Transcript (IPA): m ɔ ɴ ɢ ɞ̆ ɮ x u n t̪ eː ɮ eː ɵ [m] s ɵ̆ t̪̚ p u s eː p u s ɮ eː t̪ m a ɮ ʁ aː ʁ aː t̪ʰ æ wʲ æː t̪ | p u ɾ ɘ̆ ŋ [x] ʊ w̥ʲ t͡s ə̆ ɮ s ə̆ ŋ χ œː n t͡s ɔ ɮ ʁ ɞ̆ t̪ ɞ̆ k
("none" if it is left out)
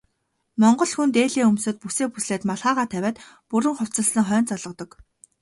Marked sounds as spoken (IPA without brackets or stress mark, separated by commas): m, χ